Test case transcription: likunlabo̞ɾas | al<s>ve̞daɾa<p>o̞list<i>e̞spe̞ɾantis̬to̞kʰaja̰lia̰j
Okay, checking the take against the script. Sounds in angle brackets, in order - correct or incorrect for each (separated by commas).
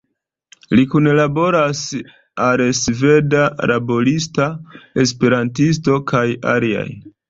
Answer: correct, incorrect, incorrect